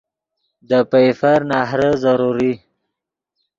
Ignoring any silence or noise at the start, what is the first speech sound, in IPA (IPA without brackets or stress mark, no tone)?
d̪